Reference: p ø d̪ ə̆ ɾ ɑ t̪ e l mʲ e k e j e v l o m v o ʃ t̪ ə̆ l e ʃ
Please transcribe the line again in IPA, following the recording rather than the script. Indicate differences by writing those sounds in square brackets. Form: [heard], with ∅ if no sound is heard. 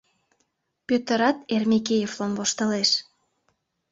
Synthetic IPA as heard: p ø [t̪] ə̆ ɾ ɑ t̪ e [r] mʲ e k e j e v l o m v o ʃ t̪ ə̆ l e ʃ